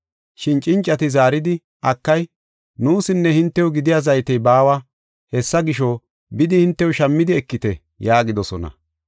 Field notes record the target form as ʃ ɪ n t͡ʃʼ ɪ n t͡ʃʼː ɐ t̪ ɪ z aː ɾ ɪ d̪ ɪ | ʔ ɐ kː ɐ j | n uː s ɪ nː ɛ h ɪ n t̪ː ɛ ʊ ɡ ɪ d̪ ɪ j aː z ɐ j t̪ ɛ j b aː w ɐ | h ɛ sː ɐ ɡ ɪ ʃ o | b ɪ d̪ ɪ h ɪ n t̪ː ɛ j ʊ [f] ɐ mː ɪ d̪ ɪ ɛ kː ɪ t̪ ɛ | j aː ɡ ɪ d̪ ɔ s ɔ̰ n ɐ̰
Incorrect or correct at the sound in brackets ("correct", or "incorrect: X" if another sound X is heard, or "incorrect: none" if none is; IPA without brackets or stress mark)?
incorrect: ʃ